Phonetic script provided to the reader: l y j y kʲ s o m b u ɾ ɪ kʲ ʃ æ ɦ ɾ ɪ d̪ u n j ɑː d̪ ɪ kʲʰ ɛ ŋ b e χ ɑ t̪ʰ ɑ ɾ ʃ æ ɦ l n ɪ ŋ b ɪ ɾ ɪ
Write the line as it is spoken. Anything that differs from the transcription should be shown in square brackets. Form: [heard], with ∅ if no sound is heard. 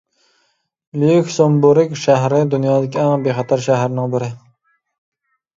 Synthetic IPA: l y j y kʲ s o m b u ɾ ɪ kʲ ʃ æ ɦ ɾ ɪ d̪ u n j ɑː d̪ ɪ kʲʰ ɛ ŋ b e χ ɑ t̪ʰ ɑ ɾ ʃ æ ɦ [ɾ] n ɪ ŋ b ɪ ɾ ɪ